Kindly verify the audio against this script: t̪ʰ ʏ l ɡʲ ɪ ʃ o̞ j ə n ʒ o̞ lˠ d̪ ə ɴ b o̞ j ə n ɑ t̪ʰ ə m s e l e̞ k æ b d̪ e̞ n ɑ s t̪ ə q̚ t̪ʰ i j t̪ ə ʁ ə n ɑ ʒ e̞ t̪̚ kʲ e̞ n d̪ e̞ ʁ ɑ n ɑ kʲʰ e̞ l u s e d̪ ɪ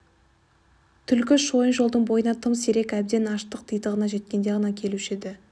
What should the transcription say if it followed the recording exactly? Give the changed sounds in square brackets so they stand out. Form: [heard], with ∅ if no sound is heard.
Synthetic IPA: t̪ʰ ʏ l [kʲ] ɪ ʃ o̞ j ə n ʒ o̞ lˠ d̪ ə ɴ b o̞ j ə n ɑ t̪ʰ ə m s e [ɾ] e̞ k æ b d̪ e̞ n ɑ [ʃ] t̪ ə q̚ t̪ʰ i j t̪ ə ʁ ə n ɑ ʒ e̞ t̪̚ kʲ e̞ n d̪ e̞ ʁ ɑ n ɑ kʲʰ e̞ l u [ʃ] e d̪ ɪ